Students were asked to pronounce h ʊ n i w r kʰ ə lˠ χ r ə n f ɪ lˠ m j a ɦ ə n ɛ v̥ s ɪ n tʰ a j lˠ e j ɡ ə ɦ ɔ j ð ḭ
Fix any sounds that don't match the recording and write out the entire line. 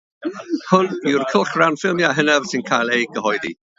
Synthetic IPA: h ʊ n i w r kʰ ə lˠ χ r a n f ɪ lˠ m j a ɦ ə n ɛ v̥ s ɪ n kʰ a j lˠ e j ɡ ə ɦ ɔ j ð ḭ